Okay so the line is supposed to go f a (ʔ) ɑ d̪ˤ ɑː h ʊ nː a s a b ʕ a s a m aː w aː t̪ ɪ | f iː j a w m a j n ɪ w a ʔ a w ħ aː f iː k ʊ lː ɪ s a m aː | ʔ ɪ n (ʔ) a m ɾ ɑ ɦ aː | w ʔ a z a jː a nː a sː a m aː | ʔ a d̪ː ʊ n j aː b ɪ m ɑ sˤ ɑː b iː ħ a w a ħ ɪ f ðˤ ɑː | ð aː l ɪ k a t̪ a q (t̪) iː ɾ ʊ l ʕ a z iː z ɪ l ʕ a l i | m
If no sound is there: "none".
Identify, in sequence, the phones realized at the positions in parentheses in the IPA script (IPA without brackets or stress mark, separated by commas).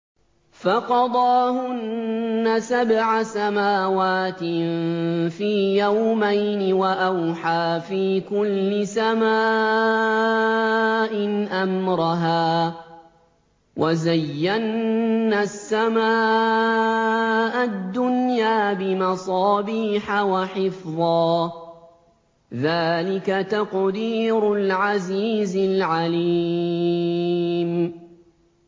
q, ʔ, d̪